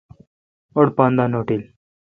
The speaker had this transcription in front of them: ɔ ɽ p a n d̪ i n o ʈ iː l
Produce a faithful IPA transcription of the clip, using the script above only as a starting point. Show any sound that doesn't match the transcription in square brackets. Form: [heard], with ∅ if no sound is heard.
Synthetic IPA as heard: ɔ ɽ p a n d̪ [a] n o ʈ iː l